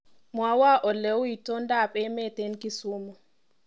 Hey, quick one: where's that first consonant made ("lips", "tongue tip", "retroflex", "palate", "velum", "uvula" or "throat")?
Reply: lips